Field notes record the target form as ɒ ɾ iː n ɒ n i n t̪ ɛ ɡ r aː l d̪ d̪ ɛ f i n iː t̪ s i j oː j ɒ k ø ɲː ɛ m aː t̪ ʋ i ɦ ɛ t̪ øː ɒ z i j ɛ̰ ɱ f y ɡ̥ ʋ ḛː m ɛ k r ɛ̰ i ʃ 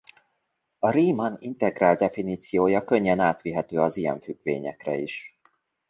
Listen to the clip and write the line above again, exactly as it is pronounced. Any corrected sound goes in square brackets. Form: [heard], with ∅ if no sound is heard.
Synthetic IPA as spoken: ɒ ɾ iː [m] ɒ n i n t̪ ɛ ɡ r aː l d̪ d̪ ɛ f i n iː t̪ s i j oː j ɒ k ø ɲː ɛ [n] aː t̪ ʋ i ɦ ɛ t̪ øː ɒ z i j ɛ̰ ɱ f y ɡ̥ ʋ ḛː [ɲ] ɛ k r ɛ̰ i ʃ

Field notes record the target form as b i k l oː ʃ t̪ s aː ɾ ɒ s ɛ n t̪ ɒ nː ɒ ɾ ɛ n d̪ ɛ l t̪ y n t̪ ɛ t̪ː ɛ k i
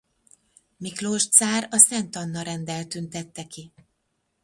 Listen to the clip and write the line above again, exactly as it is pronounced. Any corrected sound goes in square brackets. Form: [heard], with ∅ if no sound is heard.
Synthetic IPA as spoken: [m] i k l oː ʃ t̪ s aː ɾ ɒ s ɛ n t̪ ɒ nː ɒ ɾ ɛ n d̪ ɛ l t̪ y n t̪ ɛ t̪ː ɛ k i

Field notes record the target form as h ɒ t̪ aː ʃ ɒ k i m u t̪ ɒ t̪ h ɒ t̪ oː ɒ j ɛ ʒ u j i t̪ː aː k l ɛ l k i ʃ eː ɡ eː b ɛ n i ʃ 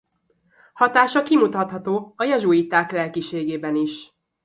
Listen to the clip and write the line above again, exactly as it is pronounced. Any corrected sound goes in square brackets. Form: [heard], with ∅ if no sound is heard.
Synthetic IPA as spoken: h ɒ t̪ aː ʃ ɒ k i m u t̪ ɒ t̪ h ɒ t̪ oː ɒ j ɛ ʒ u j i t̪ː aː k l ɛ l k i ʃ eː ɡ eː b ɛ n i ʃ

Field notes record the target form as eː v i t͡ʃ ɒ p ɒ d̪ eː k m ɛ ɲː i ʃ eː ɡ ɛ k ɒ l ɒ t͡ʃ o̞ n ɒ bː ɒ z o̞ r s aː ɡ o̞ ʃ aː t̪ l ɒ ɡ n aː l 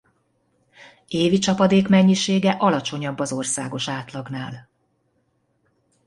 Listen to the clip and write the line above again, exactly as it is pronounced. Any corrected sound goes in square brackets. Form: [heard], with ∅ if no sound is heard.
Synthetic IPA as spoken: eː v i t͡ʃ ɒ p ɒ d̪ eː k m ɛ ɲː i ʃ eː ɡ ɛ [ʔ] ɒ l ɒ t͡ʃ o̞ [ɲ] ɒ bː ɒ z o̞ r s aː ɡ o̞ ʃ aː t̪ l ɒ ɡ n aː l

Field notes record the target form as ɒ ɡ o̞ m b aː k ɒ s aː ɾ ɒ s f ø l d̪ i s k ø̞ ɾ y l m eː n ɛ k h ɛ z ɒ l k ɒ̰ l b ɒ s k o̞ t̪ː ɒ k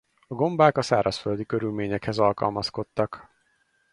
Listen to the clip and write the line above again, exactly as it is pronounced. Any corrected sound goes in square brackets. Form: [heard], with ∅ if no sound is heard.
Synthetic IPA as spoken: ɒ ɡ o̞ m b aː k ɒ s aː ɾ ɒ s f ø l d̪ i [∅] k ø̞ ɾ y l m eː [ɲ] ɛ k h ɛ z ɒ l k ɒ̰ l [m] ɒ s k o̞ t̪ː ɒ k

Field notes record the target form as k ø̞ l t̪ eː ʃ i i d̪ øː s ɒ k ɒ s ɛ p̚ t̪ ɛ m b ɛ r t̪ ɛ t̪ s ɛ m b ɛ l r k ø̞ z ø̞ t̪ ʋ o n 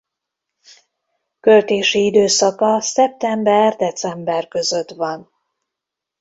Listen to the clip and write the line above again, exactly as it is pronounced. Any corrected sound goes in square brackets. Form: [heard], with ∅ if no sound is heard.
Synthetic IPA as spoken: k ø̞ l t̪ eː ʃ i i d̪ øː s ɒ k ɒ s ɛ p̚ t̪ ɛ m b ɛ r [d̪] ɛ t̪ s ɛ m b ɛ [∅] r k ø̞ z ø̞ t̪ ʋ [ɒ] n

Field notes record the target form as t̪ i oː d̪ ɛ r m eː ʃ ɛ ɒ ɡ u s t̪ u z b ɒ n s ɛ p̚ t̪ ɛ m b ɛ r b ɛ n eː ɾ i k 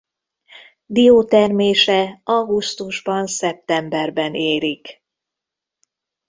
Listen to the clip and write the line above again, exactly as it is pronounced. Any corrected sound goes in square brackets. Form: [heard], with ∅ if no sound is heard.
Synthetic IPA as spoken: [d̪] i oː [t̪] ɛ r m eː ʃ ɛ ɒ ɡ u s t̪ u [ʒ] b ɒ n s ɛ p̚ t̪ ɛ m b ɛ r b ɛ n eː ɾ i k

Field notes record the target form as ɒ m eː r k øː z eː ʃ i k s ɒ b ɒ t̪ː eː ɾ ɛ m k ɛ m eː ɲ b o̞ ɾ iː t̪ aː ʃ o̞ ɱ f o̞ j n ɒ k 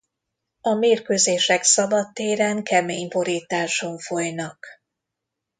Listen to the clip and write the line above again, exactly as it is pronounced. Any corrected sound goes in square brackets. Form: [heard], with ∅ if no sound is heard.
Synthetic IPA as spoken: ɒ m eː r k øː z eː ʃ [ɛ] k s ɒ b ɒ t̪ː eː ɾ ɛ [ŋ] k ɛ m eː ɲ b o̞ ɾ iː t̪ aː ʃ o̞ ɱ f o̞ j n ɒ k

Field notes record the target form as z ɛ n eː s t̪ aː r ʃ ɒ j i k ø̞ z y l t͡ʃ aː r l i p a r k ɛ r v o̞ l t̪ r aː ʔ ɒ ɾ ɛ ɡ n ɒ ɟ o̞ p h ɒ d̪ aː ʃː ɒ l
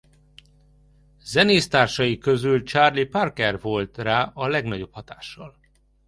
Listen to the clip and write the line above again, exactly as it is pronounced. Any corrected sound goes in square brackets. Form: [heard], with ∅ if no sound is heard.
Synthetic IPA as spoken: z ɛ n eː s t̪ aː r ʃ ɒ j i k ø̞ z y l t͡ʃ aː r l i p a r k ɛ r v o̞ l t̪ r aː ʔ ɒ [l] ɛ ɡ n ɒ ɟ o̞ p h ɒ [t̪] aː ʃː ɒ l

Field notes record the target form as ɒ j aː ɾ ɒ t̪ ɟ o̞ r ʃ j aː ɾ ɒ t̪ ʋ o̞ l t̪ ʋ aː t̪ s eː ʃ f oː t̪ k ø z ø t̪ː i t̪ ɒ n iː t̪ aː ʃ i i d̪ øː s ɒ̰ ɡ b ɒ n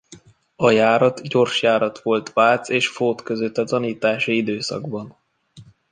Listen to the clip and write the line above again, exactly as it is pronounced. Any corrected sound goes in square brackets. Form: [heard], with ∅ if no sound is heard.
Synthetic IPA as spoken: ɒ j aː ɾ ɒ t̪ ɟ o̞ r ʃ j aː ɾ ɒ t̪ ʋ o̞ l t̪ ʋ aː t̪ s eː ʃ f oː t̪ k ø z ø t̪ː [ɛ] t̪ ɒ n iː t̪ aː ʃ i i d̪ øː s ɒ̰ ɡ b ɒ n

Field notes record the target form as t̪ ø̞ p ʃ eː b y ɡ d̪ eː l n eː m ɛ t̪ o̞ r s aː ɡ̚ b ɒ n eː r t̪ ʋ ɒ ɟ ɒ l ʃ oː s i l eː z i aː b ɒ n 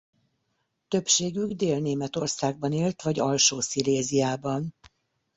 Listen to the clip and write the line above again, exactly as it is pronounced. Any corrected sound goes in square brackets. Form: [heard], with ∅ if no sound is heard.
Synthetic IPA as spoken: t̪ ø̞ p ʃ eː [ɡ] y ɡ d̪ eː l n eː m ɛ t̪ o̞ r s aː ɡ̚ b ɒ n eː [l] t̪ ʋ ɒ ɟ ɒ l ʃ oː s i l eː z i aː b ɒ n

